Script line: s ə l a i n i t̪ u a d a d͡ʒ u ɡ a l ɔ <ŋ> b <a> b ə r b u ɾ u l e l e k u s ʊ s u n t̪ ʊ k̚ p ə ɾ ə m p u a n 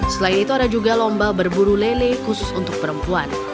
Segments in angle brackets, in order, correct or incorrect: incorrect: m, correct

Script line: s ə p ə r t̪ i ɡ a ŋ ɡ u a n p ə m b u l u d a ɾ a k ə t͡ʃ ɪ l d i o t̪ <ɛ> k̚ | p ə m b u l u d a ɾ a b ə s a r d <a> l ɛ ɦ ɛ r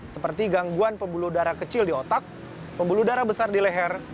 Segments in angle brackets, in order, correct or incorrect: incorrect: a, incorrect: i

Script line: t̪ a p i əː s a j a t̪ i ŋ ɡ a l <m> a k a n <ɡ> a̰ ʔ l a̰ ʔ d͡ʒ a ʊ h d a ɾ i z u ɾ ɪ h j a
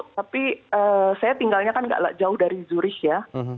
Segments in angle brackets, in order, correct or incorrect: incorrect: ɲ, correct

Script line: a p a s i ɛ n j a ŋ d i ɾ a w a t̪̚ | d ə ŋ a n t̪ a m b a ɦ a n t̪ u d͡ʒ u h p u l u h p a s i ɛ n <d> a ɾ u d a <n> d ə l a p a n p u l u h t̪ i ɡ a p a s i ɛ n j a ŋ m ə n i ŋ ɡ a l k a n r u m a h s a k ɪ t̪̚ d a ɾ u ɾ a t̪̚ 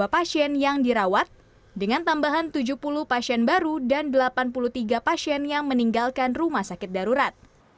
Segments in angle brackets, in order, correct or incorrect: incorrect: b, correct

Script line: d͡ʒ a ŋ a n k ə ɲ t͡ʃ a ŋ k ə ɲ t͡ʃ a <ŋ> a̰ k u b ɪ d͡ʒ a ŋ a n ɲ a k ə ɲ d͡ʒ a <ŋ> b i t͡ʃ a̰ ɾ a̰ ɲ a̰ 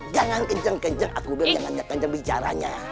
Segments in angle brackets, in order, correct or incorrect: correct, correct

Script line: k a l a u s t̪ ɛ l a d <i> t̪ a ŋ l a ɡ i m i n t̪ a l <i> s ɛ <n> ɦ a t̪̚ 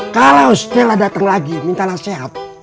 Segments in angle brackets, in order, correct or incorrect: incorrect: a, incorrect: a, incorrect: none

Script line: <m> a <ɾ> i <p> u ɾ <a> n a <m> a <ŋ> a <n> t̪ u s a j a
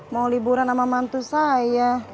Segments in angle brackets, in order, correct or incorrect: correct, incorrect: l, incorrect: b, correct, correct, incorrect: m, correct

